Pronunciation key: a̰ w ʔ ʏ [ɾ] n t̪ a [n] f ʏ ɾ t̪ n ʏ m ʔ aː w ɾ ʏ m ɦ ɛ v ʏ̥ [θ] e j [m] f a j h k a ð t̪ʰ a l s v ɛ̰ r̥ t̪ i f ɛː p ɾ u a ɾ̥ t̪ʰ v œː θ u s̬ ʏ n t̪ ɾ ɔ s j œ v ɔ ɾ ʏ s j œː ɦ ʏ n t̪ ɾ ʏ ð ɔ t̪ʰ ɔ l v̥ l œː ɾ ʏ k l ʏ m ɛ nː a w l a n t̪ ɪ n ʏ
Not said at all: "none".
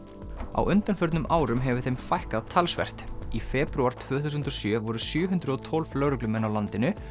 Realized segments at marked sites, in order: none, n, θ, m

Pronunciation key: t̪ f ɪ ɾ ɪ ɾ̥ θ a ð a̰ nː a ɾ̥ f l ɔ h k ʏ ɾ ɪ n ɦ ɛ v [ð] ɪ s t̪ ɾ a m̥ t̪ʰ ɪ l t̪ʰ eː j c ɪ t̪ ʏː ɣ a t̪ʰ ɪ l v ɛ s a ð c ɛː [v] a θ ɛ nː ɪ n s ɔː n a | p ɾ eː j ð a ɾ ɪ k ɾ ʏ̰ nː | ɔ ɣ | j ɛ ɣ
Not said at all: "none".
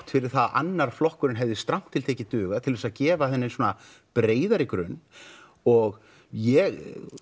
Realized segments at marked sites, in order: ð, v

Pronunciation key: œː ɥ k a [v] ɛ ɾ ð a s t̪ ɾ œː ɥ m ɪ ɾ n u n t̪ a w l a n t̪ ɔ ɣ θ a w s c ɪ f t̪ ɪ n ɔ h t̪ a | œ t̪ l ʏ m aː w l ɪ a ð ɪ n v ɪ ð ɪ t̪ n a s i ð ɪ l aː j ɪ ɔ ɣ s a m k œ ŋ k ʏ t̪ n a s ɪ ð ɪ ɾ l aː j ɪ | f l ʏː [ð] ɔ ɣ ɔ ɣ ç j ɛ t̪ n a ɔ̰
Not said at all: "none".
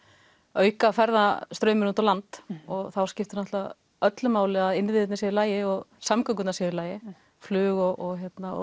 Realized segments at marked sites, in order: f, ɣ

